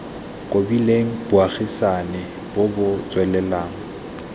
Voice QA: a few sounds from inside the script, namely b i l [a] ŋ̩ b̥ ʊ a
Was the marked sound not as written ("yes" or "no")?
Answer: yes